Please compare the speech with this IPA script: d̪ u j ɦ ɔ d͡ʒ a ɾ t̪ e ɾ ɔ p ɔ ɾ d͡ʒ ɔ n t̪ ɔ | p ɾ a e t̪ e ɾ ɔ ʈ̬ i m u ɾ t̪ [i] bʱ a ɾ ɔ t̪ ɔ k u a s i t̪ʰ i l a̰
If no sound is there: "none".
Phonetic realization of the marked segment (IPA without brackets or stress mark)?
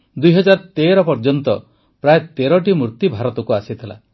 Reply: i